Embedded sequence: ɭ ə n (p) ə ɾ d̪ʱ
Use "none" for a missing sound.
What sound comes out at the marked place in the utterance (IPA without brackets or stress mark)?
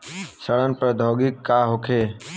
p